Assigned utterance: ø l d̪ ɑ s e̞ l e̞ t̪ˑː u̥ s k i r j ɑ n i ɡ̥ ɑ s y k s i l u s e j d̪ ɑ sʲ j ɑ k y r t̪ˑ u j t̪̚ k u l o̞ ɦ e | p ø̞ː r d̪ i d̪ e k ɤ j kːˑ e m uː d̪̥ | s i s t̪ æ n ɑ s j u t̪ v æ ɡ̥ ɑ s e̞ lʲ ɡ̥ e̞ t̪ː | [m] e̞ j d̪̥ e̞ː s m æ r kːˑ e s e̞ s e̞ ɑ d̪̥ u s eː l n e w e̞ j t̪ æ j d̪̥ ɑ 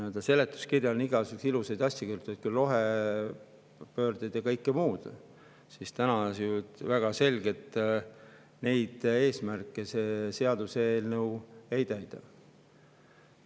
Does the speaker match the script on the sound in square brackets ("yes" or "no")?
no